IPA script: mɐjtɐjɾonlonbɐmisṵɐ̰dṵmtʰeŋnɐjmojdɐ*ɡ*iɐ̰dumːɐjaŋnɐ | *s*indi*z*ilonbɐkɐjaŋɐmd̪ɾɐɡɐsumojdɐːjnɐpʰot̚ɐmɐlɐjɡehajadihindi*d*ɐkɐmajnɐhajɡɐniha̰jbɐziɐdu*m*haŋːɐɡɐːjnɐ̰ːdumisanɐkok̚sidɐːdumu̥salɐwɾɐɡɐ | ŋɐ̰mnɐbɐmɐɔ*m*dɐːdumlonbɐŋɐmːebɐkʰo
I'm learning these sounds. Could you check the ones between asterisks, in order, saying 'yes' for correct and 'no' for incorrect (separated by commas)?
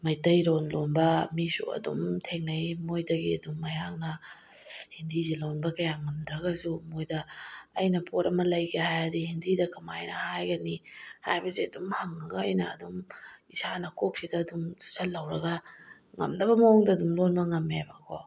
yes, no, yes, yes, yes, no